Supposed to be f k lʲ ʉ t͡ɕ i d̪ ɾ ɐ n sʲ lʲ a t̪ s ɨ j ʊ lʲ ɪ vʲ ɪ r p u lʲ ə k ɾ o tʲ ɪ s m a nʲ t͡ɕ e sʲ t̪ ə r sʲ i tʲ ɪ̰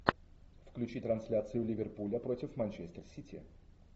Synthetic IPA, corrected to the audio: f k lʲ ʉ t͡ɕ i t̪ ɾ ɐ n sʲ lʲ a t̪ s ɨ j ʊ lʲ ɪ vʲ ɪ r p u lʲ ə p ɾ o tʲ ɪ f m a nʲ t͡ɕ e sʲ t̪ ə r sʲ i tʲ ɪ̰